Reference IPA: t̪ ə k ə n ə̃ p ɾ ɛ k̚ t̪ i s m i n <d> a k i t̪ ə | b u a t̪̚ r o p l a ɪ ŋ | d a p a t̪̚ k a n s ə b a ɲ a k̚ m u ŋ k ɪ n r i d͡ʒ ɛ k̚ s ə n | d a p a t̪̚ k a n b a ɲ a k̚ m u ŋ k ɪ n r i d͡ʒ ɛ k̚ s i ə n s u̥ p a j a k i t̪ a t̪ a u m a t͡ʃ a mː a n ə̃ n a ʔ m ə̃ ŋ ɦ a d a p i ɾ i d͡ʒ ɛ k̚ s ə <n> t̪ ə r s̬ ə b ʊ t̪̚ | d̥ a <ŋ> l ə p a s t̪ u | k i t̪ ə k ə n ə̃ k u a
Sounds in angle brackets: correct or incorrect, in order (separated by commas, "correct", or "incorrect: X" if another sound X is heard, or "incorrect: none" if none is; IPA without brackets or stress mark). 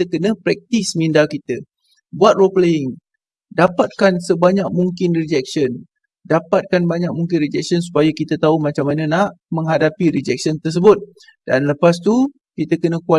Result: correct, correct, incorrect: n